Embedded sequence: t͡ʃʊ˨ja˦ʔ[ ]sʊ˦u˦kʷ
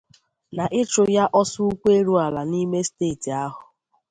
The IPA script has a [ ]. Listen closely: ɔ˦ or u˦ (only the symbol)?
ɔ˦